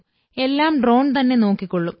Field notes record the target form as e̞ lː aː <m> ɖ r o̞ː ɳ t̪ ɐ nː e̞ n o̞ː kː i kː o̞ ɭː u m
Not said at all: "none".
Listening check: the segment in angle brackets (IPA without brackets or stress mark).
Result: m